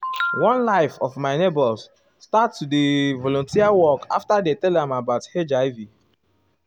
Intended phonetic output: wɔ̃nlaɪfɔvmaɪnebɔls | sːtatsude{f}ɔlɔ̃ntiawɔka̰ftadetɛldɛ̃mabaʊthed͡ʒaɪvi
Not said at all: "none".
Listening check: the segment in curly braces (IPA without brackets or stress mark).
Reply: v